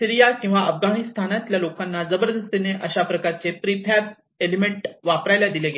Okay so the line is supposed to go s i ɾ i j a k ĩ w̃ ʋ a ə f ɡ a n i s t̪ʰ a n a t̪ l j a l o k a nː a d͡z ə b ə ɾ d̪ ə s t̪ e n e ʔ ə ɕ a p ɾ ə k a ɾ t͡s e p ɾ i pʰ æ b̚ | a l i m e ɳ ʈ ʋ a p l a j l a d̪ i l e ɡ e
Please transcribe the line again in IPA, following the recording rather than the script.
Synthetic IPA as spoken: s i ɾ i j a k ĩ w̃ ʋ a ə f ɡ a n i s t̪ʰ a n a t̪ l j a l o k a nː a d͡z ə b ə ɾ d̪ ə s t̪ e n e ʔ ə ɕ a p ɾ ə k a ɾ t͡s e p ɾ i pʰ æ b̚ | e l i m e ɳ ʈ ʋ a p ɾ a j l a d̪ i l e ɡ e